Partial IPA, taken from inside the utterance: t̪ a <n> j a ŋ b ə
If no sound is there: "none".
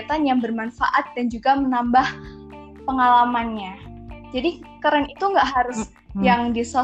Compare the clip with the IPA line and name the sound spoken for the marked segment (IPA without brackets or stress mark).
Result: n